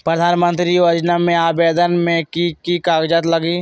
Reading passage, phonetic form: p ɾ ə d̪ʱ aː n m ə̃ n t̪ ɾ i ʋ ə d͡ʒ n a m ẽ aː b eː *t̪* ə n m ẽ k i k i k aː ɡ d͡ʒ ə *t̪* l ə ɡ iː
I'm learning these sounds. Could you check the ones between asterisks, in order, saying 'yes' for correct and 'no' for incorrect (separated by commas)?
no, yes